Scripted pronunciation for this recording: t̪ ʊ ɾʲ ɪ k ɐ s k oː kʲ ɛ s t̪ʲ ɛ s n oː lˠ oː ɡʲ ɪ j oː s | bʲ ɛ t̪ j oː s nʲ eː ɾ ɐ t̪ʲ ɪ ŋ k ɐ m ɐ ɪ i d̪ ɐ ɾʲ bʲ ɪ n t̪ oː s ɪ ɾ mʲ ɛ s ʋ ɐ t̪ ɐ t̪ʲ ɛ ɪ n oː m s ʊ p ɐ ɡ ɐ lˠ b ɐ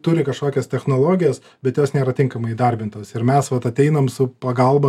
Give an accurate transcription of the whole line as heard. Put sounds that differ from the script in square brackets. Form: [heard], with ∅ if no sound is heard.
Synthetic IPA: t̪ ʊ ɾʲ ɪ k ɐ [ʃ] k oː kʲ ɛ s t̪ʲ ɛ [x] n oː lˠ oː ɡʲ ɪ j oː s | bʲ ɛ t̪ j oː s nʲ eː ɾ ɐ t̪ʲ ɪ ŋ k ɐ m ɐ ɪ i d̪ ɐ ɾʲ bʲ ɪ n t̪ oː s ɪ ɾ mʲ ɛ s ʋ ɐ t̪ ɐ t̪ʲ ɛ ɪ n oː m s ʊ p ɐ ɡ ɐ lˠ b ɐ